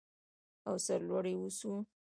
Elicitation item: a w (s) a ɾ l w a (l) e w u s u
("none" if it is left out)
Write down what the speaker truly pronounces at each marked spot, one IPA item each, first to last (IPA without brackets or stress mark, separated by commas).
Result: s, ɽ